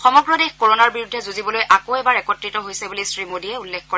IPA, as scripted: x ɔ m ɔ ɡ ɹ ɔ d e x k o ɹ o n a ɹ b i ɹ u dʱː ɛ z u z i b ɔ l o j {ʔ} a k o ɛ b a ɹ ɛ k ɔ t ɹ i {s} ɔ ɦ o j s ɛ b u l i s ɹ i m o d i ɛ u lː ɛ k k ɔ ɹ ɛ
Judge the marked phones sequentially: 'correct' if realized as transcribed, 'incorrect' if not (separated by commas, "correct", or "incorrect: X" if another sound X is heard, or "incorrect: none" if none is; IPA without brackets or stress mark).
correct, incorrect: t